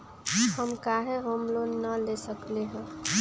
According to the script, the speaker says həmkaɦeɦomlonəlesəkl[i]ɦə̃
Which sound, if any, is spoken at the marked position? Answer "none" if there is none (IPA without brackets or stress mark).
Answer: e